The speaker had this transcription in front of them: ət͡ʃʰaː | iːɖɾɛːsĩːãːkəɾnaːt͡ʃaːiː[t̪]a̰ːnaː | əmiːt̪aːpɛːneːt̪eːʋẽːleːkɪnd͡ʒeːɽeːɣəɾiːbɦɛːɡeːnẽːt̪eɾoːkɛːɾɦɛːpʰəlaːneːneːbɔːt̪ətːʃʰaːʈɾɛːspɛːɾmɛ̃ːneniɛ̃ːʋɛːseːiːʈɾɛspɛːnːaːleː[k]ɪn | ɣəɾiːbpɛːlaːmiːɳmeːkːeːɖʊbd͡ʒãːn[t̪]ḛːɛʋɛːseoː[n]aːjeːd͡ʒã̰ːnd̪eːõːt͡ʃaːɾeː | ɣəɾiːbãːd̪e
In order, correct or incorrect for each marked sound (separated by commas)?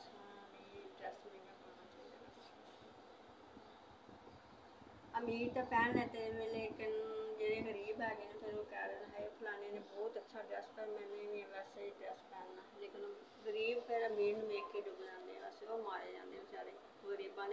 incorrect, correct, incorrect, incorrect